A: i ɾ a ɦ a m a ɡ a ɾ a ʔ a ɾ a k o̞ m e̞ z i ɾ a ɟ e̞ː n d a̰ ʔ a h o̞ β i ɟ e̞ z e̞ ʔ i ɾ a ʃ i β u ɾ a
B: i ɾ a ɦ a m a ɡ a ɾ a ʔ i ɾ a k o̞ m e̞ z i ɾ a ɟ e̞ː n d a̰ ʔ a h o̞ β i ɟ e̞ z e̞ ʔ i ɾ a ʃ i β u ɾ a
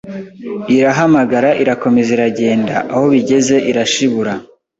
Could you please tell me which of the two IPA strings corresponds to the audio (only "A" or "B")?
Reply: B